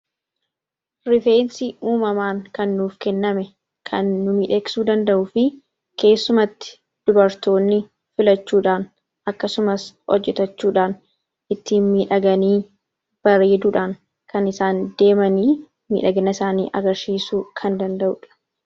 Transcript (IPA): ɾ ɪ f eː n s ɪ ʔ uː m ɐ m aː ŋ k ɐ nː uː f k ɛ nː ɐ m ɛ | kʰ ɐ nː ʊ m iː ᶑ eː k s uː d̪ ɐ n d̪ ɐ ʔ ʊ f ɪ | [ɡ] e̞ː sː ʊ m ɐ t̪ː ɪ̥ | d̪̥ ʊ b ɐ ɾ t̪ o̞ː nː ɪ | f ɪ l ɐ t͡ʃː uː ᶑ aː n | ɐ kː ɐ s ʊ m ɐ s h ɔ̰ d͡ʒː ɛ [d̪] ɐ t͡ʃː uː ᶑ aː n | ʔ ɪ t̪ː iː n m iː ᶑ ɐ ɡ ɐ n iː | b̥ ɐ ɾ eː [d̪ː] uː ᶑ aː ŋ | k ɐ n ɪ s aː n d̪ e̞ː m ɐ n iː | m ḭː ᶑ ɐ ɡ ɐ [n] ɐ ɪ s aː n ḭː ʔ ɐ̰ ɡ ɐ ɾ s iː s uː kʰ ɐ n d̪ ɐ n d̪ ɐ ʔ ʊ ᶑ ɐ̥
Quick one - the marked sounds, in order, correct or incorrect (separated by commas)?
incorrect, incorrect, incorrect, correct